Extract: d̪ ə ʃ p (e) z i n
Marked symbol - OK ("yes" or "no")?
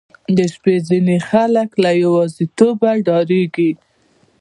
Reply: yes